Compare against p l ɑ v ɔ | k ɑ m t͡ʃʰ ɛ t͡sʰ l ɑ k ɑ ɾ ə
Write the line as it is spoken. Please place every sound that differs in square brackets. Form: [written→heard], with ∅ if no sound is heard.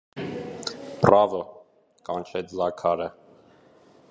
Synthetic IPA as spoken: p [l→r] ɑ v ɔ | k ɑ [m→n] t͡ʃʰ ɛ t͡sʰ l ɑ [k→kʰ] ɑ ɾ ə